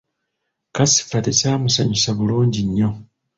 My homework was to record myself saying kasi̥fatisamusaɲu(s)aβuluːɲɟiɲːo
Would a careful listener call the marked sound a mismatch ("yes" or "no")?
no